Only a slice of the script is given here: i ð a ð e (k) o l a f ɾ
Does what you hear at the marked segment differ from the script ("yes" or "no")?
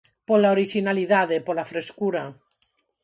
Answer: yes